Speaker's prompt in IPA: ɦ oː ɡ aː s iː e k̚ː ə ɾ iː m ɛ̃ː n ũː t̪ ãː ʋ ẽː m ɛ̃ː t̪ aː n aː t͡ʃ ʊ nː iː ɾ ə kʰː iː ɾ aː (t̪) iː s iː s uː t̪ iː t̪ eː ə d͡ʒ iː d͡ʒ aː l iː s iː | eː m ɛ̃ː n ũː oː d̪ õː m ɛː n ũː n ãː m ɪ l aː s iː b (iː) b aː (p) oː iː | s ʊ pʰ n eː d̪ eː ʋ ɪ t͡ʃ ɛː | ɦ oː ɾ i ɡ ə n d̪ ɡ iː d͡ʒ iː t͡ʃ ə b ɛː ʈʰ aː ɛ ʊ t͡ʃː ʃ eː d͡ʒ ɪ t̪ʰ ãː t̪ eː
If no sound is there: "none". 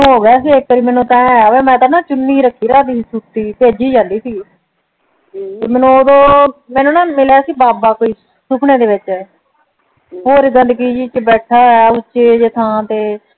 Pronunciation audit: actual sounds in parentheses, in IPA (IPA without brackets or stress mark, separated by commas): d̪, aː, k